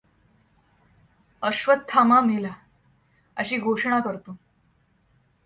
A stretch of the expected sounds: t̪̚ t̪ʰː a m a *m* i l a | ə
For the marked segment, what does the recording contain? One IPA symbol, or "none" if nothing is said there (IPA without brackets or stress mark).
m